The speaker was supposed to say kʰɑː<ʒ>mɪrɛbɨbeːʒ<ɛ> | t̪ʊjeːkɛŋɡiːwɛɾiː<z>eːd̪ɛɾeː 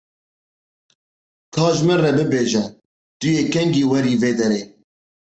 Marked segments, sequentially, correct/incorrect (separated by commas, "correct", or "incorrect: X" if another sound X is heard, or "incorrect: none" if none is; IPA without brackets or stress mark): correct, correct, incorrect: v